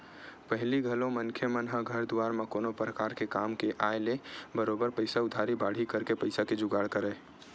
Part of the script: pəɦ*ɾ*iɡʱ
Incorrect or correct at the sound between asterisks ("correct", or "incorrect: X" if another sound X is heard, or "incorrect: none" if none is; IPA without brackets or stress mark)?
incorrect: l